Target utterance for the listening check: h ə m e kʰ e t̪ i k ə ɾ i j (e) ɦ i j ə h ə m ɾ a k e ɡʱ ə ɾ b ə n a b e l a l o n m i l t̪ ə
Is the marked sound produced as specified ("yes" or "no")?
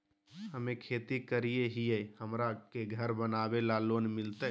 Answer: yes